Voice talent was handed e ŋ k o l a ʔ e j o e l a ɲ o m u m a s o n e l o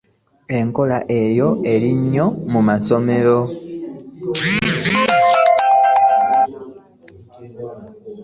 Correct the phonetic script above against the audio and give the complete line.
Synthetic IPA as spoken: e ŋ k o l a ʔ e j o e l i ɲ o m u m a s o m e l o

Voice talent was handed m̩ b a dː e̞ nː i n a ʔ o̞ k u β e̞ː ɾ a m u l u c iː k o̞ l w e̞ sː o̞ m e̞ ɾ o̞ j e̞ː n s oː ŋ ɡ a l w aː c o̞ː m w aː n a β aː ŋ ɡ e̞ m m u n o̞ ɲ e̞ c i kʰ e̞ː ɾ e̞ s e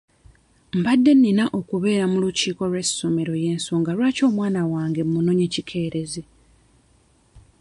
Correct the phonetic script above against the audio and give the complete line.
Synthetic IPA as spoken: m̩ b a dː e̞ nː i n a ʔ o̞ k u β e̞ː ɾ a m u l u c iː k o̞ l w e̞ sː o̞ m e̞ ɾ o̞ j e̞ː n s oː ŋ ɡ a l w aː c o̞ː m w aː n a w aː ŋ ɡ e̞ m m u n o̞ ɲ e̞ c i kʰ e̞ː ɾ e̞ z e

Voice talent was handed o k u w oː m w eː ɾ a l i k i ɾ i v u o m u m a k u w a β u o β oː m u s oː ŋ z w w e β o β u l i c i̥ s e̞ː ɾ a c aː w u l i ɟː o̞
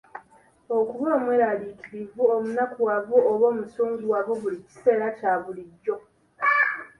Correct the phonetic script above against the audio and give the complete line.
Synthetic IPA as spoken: o k u β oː m w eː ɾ a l i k i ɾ i v u o m u n a k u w a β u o β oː m u s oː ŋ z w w a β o β u l i c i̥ s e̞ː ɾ a c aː β u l i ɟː o̞

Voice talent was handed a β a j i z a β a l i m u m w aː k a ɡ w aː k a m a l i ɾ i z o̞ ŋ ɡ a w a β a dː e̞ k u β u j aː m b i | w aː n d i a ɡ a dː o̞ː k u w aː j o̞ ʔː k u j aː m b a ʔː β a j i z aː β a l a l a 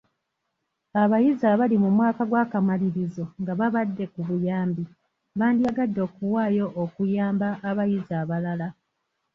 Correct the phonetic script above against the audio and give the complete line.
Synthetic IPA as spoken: a β a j i z a β a l i m u m w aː k a ɡ w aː k a m a l i ɾ i z o̞ ŋ ɡ a β a β a dː e̞ k u β u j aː m b i | β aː n d i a ɡ a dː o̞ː k u w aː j o̞ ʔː k u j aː m b a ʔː β a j i z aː β a l a l a

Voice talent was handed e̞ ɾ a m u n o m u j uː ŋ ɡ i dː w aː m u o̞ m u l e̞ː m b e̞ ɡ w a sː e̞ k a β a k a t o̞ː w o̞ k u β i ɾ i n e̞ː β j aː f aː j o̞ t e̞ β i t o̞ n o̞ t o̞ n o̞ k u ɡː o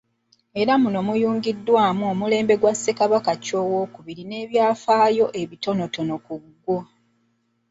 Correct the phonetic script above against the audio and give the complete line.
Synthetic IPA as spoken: e̞ ɾ a m u n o m u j uː ŋ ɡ i dː w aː m u o̞ m u l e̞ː m b e̞ ɡ w a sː e̞ k a β a k a c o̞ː w o̞ k u β i ɾ i n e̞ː β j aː f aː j o̞ ʔ e̞ β i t o̞ n o̞ t o̞ n o̞ k u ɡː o

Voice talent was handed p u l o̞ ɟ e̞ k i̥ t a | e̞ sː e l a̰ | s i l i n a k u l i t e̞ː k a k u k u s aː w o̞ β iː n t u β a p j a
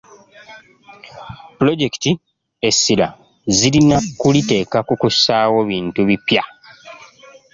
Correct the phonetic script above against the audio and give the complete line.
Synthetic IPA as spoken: p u l o̞ ɟ e̞ k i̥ t i | e̞ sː i l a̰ | z i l i n a k u l i t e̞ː k a k u k u s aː w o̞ β iː n t u β i p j a

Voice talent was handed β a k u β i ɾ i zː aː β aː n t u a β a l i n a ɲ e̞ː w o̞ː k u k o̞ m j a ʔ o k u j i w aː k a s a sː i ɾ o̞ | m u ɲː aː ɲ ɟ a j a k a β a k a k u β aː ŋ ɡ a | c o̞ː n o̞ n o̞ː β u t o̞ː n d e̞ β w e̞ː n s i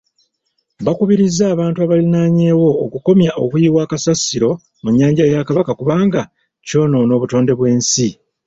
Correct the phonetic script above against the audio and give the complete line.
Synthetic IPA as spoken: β a k u β i ɾ i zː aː β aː n t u a β a l i n a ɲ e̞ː w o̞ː k u k o̞ m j a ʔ o k u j i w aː k a s a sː i ɾ o̞ | m u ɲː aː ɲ ɟ a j a k a β a k a k u β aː ŋ ɡ a | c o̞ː n o̞ n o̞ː β u t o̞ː n d e̞ β w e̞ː n s i

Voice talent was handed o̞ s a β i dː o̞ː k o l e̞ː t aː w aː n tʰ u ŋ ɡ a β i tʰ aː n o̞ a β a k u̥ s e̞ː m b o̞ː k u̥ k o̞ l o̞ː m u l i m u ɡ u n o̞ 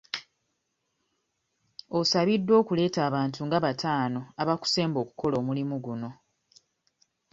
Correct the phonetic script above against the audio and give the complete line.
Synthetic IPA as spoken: o̞ s a β i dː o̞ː k u l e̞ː t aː β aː n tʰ u ŋ ɡ a β a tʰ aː n o̞ a β a k u̥ s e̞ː m b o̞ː k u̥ k o̞ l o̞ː m u l i m u ɡ u n o̞

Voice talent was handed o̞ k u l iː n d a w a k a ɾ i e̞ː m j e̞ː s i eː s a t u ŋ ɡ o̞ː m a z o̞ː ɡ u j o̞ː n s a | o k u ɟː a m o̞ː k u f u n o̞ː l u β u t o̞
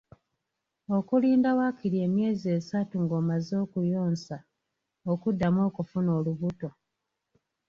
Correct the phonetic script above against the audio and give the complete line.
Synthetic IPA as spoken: o̞ k u l iː n d a w a k i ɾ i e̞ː m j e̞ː z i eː s a t u ŋ ɡ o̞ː m a z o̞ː k u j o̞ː n s a | o k u dː a m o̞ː k u f u n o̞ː l u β u t o̞

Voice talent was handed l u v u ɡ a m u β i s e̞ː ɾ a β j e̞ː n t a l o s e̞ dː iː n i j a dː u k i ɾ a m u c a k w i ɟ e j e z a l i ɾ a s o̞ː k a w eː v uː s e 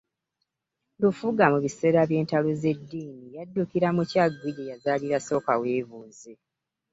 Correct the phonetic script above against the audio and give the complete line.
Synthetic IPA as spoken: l u f u ɡ a m u β i s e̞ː ɾ a β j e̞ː n t a l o z e̞ dː iː n i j a dː u k i ɾ a m u c a ɡ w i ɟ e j a z a l i ɾ a s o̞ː k a w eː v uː z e

